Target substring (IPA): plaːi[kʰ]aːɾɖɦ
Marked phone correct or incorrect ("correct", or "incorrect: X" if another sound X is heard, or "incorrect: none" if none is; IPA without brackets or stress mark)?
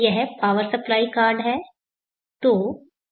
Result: incorrect: k